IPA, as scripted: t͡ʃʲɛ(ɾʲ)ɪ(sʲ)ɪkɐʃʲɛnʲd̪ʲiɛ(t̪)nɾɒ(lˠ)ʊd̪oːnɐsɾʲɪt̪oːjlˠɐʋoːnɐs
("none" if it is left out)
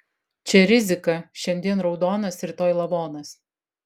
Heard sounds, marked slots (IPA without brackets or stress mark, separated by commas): ɾʲ, zʲ, none, none